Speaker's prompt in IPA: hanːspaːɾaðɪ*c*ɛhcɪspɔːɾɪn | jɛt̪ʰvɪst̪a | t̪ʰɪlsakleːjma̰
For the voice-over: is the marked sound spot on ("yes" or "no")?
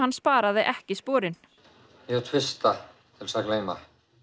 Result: no